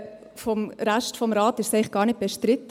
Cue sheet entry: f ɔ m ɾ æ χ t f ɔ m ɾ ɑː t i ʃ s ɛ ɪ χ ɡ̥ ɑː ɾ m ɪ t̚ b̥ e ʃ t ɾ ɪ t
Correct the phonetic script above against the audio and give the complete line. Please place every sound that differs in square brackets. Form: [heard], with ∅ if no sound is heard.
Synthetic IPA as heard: f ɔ m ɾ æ [ʃ] t f ɔ m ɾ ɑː t [ɪ] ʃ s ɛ ɪ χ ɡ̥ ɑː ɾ [n] ɪ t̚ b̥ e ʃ t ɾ ɪ t